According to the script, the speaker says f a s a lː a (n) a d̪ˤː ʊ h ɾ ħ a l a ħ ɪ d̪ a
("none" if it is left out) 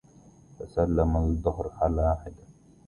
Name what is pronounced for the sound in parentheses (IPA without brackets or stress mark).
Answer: m